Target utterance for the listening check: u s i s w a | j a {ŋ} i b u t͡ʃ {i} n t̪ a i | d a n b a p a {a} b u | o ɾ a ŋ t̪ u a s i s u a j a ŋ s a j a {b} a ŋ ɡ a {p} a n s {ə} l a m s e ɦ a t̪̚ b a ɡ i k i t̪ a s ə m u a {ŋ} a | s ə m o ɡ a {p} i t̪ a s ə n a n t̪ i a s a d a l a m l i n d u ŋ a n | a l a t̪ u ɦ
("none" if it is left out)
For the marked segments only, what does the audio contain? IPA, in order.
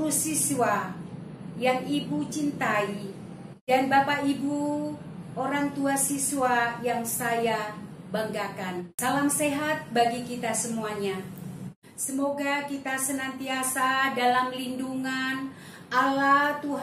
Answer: ŋ, i, i, b, k, a, ɲ, k

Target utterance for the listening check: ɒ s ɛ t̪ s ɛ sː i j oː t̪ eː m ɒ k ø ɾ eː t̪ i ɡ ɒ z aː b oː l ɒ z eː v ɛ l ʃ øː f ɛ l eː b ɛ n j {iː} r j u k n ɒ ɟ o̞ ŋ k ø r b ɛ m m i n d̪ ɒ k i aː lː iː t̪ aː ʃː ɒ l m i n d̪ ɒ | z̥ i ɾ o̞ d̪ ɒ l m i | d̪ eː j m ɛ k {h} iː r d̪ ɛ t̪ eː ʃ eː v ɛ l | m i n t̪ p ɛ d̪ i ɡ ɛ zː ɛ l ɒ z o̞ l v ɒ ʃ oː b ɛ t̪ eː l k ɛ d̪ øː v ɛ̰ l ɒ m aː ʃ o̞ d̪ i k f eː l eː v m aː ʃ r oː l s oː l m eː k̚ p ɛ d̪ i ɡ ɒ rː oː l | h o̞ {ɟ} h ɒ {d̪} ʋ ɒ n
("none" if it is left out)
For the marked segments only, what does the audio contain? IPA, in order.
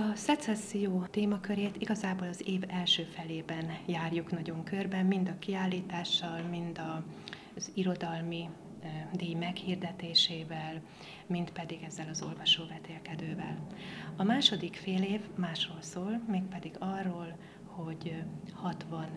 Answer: aː, h, ɟ, t̪

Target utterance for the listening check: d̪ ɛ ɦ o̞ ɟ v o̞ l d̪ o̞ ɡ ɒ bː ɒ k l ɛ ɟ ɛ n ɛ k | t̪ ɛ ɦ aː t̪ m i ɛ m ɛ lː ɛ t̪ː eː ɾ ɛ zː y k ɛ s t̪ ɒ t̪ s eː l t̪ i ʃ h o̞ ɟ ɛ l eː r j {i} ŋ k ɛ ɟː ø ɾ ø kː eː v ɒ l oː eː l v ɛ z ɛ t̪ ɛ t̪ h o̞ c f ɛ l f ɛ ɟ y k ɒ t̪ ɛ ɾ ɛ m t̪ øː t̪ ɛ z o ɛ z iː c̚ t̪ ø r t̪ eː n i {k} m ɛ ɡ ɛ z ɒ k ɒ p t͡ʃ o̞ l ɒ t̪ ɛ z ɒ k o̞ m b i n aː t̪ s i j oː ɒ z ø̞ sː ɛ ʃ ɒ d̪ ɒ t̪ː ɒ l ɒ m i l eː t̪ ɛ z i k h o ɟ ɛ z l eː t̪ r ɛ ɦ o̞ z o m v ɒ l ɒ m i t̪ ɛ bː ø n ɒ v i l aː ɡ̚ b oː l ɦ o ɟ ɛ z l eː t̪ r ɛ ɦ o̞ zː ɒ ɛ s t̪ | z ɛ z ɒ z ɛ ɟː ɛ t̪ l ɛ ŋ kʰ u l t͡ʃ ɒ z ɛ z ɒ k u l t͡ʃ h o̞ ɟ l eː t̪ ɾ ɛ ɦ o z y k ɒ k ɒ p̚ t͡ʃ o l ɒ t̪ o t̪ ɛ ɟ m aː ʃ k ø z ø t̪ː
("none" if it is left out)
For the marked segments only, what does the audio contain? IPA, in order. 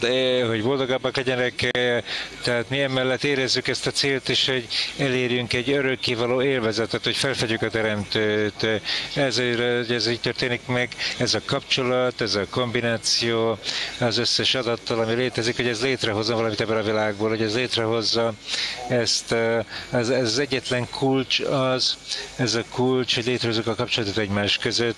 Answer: y, k

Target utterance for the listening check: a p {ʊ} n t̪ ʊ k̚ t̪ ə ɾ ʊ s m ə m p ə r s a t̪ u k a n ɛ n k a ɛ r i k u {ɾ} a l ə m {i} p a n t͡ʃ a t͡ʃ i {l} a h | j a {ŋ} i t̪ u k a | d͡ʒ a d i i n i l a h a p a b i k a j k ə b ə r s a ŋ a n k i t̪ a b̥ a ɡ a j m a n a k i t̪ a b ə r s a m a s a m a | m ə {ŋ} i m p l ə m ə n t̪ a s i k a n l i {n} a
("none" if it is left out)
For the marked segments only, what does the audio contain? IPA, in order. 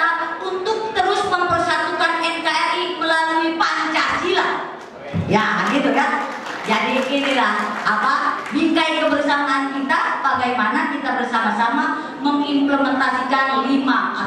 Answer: u, l, i, l, ɡ, ŋ, m

